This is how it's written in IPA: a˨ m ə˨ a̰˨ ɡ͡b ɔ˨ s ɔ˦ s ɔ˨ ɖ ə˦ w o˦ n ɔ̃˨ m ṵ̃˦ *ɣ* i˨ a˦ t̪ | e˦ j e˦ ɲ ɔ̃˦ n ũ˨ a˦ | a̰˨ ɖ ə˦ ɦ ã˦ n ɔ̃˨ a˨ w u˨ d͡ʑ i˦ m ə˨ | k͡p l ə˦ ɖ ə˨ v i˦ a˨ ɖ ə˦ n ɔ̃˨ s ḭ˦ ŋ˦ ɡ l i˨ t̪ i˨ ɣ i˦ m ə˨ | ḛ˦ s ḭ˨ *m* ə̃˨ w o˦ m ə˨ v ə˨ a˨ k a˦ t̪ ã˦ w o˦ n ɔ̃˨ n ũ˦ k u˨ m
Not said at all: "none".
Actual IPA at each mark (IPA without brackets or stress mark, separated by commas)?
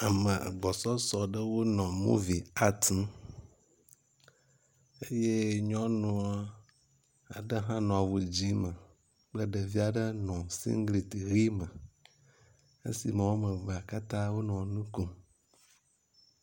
v, m